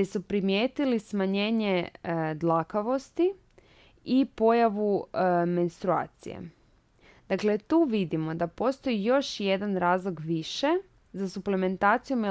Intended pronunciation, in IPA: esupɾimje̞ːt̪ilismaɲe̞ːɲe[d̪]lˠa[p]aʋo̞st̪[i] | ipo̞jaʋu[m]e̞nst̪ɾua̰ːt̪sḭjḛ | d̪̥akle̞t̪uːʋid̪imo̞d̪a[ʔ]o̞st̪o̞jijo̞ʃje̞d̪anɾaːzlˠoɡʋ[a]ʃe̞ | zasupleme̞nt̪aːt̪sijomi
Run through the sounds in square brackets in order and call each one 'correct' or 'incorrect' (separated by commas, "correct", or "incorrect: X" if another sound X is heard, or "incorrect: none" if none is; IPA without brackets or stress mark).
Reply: correct, incorrect: k, correct, correct, incorrect: p, incorrect: i